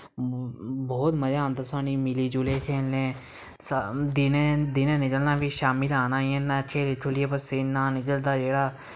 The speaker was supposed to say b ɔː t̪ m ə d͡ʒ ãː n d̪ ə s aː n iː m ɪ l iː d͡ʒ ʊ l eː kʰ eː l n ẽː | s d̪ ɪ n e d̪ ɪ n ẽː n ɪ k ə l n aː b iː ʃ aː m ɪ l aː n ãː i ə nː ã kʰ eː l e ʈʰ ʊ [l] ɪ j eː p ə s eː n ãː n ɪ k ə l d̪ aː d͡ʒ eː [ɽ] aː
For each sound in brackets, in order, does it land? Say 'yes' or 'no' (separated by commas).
yes, yes